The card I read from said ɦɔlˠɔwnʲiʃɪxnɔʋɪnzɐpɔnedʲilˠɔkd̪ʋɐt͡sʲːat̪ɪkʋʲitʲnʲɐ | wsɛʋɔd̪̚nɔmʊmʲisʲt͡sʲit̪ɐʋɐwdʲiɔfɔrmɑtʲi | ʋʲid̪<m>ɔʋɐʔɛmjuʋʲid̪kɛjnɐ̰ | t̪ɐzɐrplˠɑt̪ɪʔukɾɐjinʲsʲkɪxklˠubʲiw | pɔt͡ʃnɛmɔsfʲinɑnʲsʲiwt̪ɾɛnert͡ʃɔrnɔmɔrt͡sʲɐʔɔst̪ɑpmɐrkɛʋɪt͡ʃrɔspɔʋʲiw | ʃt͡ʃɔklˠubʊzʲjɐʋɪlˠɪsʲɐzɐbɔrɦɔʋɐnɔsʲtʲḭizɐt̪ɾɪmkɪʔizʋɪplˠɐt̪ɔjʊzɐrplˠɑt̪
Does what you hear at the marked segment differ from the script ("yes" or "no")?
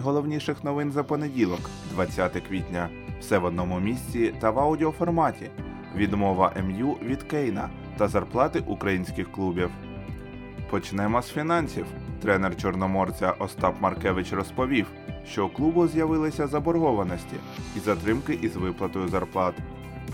no